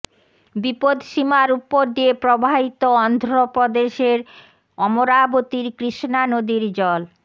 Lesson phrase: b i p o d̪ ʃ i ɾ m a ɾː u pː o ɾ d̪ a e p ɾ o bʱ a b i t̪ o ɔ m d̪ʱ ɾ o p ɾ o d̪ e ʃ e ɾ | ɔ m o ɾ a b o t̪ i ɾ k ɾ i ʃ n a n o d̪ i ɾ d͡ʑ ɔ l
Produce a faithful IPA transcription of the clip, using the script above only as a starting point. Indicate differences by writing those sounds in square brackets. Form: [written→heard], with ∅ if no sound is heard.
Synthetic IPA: b i p o d̪ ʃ i [ɾ→∅] m a [ɾː→ɾ] u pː o ɾ d̪ [a→i] e p ɾ o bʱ a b i t̪ o ɔ [m→n] d̪ʱ ɾ o p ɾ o d̪ e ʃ e ɾ | ɔ m o ɾ a b o t̪ i ɾ k ɾ i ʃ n a n o d̪ i ɾ d͡ʑ ɔ l